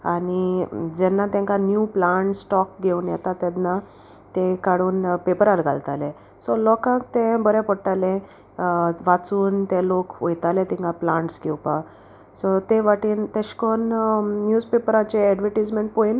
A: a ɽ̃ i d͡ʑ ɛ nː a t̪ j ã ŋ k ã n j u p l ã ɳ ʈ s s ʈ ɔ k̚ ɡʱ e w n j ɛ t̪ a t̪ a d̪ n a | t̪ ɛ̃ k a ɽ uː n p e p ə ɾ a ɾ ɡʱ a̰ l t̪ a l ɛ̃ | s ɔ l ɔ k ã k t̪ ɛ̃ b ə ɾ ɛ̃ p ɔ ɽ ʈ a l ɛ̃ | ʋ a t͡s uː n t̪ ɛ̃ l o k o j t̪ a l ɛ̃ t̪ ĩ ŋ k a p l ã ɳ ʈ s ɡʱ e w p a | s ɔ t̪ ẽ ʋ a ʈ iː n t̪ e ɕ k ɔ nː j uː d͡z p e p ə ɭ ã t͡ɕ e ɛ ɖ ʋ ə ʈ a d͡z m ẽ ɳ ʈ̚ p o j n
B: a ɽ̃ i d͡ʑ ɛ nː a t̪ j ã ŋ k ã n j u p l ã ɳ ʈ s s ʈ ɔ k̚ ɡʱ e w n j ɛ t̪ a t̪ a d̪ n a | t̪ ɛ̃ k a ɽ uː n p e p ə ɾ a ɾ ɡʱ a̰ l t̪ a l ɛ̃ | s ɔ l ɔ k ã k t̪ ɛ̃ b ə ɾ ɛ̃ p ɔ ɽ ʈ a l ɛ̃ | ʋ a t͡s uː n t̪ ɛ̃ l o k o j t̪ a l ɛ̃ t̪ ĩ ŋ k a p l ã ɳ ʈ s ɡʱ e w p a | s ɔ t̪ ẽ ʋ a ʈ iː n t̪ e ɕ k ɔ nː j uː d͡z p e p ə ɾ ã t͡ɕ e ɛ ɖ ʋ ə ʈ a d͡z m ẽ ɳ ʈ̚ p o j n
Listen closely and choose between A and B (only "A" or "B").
B